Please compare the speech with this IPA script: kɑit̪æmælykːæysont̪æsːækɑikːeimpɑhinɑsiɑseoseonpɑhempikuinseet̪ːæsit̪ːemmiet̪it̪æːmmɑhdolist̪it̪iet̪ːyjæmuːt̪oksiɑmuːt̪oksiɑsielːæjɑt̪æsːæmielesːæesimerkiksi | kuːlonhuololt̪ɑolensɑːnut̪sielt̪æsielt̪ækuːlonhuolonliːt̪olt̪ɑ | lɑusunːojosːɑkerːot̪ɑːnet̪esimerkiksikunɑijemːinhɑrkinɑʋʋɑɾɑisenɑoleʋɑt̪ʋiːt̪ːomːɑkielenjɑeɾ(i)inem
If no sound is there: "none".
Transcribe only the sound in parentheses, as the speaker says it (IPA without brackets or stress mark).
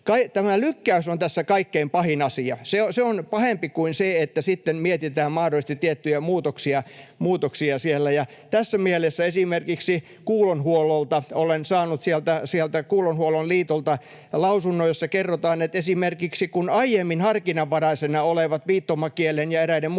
æ